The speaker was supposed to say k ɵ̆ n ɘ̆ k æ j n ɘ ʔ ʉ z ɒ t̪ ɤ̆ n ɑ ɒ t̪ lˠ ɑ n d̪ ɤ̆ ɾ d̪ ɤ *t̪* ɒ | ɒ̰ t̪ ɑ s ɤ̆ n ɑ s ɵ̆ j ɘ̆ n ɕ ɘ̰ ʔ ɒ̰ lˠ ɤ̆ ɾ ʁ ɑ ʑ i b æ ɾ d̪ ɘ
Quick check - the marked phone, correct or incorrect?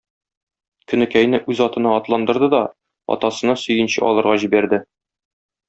incorrect